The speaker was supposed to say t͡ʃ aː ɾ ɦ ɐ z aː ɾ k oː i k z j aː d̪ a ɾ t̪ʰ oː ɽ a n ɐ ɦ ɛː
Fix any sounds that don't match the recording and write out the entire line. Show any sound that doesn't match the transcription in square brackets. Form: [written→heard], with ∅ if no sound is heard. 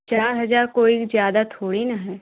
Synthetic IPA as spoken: t͡ʃ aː ɾ ɦ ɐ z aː ɾ k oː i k z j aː d̪ a [ɾ→∅] t̪ʰ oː ɽ [a→i] n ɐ ɦ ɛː

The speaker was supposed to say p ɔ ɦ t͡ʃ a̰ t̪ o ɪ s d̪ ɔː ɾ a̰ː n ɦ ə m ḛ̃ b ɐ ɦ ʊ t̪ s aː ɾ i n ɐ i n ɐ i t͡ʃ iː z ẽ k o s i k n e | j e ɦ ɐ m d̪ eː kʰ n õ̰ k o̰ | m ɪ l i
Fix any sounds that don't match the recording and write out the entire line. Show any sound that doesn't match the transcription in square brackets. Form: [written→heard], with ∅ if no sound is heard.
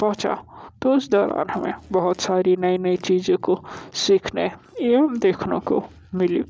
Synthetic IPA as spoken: p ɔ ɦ t͡ʃ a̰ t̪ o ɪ s d̪ ɔː ɾ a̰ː n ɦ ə m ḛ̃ b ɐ ɦ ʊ t̪ s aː ɾ i n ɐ i n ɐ i t͡ʃ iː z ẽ k o s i [k→kʰ] n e | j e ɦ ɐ m d̪ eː kʰ n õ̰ k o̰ | m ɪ l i

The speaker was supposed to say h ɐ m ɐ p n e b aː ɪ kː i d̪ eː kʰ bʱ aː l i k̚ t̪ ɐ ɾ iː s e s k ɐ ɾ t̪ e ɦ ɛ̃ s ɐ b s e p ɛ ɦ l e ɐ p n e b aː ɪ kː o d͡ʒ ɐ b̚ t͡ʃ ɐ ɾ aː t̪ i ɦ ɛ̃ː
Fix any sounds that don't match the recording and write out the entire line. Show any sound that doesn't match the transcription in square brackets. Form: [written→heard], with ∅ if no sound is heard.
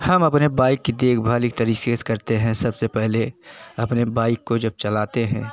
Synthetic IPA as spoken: h ɐ m ɐ p n e b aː ɪ kː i d̪ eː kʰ bʱ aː l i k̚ t̪ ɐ ɾ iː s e s k ɐ ɾ t̪ e ɦ ɛ̃ s ɐ b s e p ɛ ɦ l e ɐ p n e b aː ɪ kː o d͡ʒ ɐ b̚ t͡ʃ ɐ [ɾ→l] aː t̪ [i→e] ɦ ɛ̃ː

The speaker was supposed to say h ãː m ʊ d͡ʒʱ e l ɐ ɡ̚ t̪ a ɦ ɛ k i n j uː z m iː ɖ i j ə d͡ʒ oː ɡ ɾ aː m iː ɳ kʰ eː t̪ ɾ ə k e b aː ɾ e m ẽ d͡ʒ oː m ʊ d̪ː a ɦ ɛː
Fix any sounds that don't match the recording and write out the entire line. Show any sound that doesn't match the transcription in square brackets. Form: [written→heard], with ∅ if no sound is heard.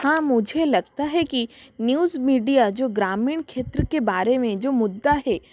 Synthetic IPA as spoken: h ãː m ʊ d͡ʒʱ e l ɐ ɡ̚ t̪ a ɦ ɛ k i n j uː z m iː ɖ i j [ə→a] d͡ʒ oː ɡ ɾ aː m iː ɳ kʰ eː t̪ ɾ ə k e b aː ɾ e m ẽ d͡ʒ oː m ʊ d̪ː a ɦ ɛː

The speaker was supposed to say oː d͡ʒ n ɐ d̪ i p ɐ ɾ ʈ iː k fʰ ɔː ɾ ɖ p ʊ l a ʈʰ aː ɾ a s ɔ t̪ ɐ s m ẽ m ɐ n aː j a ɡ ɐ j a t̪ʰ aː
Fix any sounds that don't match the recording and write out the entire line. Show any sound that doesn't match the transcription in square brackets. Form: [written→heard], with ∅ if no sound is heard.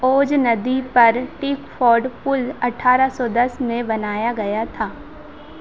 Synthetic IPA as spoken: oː d͡ʒ n ɐ d̪ i p ɐ ɾ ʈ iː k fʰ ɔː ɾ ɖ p ʊ l [a→ɐ] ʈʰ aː ɾ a s ɔ [t̪→d̪] ɐ s m ẽ [m→b] ɐ n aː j a ɡ ɐ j a t̪ʰ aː

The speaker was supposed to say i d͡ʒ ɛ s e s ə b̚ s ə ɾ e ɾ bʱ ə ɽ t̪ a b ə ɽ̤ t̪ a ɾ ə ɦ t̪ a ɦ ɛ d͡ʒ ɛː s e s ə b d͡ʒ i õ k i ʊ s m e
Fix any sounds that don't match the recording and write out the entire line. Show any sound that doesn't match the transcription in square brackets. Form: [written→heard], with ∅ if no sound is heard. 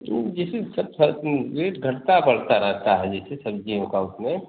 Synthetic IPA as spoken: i d͡ʒ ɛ s e s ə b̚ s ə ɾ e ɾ [bʱ→ɡʱ] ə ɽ t̪ a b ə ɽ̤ t̪ a ɾ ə ɦ t̪ a ɦ ɛ d͡ʒ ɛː s e s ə b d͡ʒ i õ k [i→a] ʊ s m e

